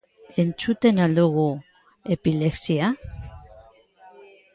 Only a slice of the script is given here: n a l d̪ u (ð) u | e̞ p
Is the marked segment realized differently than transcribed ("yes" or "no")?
yes